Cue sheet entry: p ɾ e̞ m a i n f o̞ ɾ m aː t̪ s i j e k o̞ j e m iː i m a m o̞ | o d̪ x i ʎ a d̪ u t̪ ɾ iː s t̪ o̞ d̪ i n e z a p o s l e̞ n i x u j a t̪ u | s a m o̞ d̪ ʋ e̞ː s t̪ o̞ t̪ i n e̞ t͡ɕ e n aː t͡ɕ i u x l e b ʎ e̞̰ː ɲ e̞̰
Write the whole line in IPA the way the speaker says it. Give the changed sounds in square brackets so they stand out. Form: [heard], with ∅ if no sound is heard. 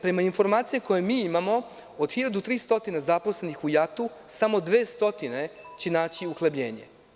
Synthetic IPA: p ɾ e̞ m a i n f o̞ ɾ m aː t̪ s i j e k o̞ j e m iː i m a m o̞ | o d̪ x i ʎ a d̪ u t̪ ɾ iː s t̪ o̞ [t̪] i n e z a p o s l e̞ n i x u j a t̪ u | s a m o̞ d̪ ʋ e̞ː s t̪ o̞ t̪ i n e̞ t͡ɕ e n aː t͡ɕ i u x l e b ʎ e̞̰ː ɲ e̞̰